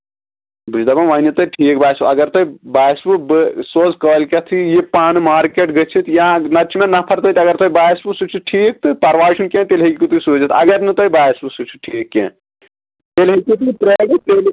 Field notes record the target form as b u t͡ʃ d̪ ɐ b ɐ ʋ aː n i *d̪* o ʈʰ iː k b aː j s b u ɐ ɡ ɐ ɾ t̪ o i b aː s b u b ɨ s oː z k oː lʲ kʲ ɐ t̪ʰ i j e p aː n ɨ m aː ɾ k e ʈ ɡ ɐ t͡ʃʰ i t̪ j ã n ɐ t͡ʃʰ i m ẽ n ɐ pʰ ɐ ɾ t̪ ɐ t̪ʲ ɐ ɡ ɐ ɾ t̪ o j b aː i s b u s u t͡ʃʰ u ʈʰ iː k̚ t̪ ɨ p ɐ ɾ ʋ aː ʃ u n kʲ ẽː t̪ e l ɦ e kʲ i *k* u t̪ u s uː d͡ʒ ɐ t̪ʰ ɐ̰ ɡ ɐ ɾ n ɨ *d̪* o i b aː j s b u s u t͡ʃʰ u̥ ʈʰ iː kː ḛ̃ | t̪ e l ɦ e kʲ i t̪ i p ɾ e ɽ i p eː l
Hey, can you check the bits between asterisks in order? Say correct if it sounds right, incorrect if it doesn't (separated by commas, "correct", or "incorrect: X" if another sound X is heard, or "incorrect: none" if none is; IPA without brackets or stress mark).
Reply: incorrect: t̪, correct, incorrect: t̪